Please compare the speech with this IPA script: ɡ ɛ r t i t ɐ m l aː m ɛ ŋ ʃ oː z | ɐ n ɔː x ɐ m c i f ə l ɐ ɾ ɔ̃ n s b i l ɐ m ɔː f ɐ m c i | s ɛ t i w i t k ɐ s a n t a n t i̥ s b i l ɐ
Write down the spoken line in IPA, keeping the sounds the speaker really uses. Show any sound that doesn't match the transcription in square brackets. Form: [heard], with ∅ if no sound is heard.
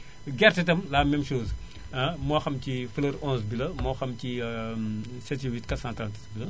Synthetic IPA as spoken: ɡ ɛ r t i t ɐ m l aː m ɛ [m] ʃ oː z | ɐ [m] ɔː x ɐ m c i f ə l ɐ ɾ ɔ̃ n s b i l ɐ m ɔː [x] ɐ m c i | s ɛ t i w i t k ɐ s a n t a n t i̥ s b i l ɐ